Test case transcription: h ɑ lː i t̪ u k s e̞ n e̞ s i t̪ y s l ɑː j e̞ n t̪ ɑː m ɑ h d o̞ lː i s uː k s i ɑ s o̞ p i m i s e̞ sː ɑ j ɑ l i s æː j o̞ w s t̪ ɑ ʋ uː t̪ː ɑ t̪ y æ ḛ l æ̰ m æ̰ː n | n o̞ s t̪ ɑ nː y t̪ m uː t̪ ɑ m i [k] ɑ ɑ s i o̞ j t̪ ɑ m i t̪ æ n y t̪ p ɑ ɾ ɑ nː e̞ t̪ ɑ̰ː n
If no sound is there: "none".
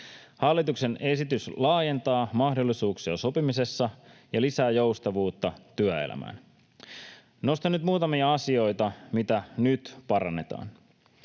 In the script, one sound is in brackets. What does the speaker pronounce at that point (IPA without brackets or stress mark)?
none